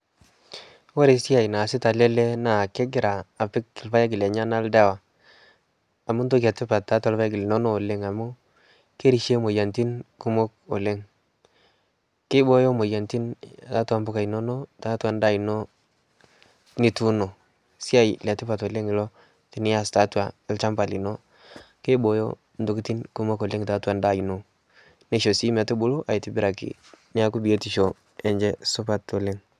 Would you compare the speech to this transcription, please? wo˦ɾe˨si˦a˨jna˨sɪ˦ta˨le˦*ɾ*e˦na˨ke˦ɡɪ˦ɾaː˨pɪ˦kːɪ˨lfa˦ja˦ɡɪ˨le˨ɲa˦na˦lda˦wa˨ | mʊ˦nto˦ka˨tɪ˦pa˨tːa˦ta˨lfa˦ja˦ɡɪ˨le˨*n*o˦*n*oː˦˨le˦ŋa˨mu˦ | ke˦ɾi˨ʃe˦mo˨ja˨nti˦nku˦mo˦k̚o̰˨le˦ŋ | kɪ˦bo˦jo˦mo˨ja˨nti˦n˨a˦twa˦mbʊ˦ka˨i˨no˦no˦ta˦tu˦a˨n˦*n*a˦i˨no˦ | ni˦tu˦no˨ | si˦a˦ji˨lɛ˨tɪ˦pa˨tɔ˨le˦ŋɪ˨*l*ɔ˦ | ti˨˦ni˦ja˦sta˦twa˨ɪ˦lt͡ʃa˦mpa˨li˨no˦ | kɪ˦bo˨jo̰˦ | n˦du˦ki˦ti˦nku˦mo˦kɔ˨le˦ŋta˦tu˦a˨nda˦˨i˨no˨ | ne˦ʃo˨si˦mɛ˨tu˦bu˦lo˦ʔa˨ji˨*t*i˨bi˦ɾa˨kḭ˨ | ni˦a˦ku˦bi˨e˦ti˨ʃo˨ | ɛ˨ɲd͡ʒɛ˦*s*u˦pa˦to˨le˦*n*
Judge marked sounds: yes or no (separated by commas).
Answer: no, yes, yes, no, yes, yes, yes, no